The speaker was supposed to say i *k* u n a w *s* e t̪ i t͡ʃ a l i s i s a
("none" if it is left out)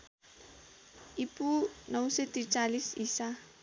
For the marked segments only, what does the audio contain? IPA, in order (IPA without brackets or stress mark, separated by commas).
p, s